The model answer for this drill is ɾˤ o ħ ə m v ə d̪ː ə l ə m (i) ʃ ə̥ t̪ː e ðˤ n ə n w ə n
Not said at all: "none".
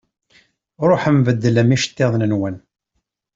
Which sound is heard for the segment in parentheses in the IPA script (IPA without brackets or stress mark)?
i